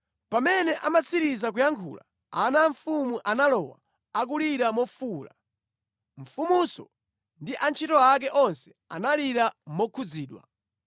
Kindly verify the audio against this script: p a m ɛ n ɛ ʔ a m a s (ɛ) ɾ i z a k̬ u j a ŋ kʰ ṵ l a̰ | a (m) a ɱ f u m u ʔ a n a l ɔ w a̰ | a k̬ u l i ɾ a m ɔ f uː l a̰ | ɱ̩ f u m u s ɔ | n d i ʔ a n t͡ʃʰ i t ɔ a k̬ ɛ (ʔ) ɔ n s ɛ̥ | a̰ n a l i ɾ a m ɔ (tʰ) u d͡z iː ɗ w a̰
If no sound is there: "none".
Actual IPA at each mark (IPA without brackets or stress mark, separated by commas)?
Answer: i, n, ʔ, kʰ